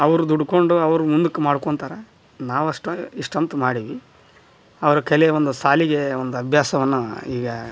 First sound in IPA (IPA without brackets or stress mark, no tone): ɐ